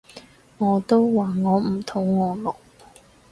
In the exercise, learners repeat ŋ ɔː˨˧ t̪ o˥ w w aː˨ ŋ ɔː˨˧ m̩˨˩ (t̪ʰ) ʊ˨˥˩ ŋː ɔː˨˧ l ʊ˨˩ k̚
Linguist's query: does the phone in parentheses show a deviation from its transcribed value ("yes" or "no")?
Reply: no